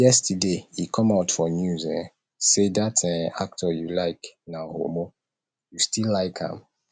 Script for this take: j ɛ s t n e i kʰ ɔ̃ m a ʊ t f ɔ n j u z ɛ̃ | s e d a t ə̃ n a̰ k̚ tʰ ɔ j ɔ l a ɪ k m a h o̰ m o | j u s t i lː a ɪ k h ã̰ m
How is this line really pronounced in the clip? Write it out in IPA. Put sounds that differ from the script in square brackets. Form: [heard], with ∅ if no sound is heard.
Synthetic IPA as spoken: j ɛ s t [d] e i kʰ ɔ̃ m a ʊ t f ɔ n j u z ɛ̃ | s e d a t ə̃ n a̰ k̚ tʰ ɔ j [u] l a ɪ k [n] a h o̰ m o | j u s t i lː a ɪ k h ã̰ m